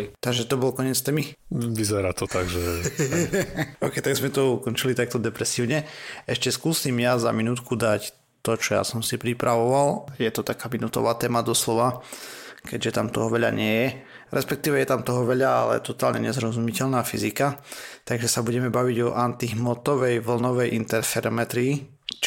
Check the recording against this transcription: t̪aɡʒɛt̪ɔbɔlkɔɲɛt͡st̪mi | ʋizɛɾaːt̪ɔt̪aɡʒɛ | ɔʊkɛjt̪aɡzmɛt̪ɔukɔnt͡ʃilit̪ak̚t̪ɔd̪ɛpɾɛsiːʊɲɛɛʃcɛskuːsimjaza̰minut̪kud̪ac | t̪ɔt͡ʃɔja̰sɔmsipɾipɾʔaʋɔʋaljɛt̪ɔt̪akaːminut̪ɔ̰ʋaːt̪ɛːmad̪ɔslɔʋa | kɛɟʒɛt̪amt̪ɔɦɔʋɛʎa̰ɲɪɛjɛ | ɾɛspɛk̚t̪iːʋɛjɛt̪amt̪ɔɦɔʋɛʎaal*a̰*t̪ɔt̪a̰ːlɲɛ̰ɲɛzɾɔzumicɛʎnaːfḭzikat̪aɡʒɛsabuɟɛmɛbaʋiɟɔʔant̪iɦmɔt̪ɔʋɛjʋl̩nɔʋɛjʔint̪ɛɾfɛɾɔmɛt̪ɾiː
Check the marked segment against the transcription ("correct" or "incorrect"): incorrect